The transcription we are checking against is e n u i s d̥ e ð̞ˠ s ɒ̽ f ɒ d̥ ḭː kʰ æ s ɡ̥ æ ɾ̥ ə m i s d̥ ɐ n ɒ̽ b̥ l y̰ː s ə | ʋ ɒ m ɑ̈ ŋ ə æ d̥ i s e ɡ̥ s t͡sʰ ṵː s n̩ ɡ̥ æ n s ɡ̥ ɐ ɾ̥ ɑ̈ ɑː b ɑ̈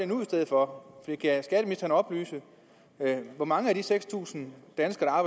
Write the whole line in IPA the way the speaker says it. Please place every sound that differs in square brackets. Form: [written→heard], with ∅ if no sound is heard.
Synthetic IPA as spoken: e n u i s d̥ e ð̞ˠ [s→f] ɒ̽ f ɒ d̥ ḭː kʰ æ s ɡ̥ æ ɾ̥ ə m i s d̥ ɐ n ɒ̽ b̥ l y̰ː s ə | ʋ ɒ m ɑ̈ ŋ ə æ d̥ i s e ɡ̥ s t͡sʰ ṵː s n̩ [ɡ̥→d̥] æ n s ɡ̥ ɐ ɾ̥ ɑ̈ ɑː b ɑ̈